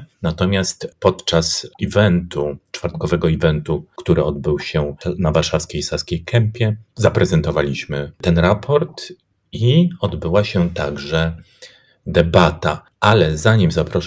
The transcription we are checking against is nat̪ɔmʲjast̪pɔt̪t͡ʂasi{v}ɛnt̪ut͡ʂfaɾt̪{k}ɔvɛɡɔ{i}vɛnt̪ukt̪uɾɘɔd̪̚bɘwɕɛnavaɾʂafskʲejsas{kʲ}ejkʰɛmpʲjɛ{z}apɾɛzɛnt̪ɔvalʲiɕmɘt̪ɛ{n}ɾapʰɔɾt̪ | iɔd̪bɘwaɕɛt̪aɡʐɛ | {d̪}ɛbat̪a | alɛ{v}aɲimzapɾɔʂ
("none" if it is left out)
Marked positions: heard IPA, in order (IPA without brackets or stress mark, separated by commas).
v, k, i, kʲ, z, n, d̪, z